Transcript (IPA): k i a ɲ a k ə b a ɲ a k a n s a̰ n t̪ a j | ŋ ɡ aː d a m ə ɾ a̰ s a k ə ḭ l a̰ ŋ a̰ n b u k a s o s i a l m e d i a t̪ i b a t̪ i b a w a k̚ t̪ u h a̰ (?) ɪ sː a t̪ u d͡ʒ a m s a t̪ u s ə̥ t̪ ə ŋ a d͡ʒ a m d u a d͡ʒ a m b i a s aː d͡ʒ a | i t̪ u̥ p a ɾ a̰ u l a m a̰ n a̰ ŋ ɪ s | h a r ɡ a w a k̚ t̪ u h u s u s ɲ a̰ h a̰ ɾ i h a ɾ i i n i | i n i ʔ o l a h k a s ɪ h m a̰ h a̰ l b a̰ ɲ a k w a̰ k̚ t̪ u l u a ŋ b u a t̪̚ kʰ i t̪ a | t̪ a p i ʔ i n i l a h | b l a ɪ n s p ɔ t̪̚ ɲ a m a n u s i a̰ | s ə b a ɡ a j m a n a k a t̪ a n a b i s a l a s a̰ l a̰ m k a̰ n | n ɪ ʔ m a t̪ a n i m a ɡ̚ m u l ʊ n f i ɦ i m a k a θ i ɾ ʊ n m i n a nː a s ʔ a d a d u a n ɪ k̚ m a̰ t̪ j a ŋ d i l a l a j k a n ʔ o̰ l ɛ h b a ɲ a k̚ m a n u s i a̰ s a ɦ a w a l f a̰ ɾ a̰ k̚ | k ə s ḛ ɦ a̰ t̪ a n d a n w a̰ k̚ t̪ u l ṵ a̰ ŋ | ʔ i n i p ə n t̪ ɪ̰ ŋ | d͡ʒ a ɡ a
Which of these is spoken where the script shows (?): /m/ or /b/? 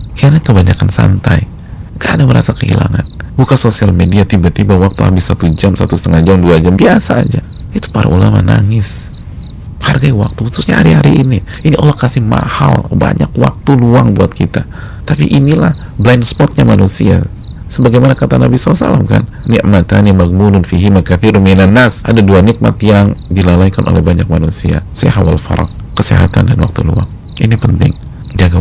b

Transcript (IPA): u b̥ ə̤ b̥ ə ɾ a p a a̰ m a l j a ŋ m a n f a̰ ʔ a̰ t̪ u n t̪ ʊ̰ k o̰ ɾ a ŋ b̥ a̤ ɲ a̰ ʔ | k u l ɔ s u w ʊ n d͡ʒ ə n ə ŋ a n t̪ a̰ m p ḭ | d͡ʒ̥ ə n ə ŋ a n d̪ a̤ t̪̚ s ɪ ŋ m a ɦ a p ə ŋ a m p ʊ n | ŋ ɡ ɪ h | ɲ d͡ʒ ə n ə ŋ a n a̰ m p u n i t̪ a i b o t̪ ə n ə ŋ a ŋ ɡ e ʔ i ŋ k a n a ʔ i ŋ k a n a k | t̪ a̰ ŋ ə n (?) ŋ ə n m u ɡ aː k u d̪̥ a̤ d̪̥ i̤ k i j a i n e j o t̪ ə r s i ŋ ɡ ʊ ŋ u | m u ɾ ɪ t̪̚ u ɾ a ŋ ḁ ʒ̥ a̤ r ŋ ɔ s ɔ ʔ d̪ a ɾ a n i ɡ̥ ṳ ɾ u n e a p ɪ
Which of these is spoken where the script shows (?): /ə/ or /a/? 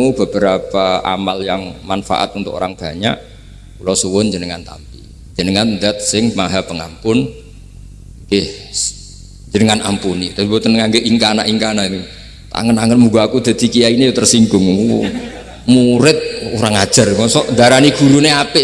a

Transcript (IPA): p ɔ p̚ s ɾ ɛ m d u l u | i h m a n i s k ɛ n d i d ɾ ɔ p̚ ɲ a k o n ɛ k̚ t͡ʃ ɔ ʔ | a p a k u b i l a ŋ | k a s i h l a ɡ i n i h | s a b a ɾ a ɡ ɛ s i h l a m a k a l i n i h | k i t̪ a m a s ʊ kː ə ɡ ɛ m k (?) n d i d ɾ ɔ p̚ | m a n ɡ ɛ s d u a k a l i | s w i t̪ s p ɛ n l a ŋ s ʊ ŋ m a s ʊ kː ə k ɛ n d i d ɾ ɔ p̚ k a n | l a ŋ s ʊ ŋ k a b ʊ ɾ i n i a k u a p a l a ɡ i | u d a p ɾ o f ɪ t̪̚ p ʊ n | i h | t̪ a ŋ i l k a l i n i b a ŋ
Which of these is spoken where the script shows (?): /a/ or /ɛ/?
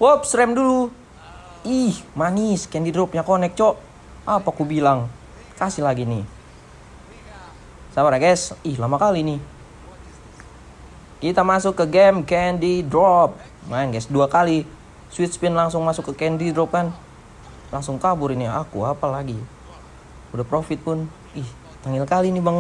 ɛ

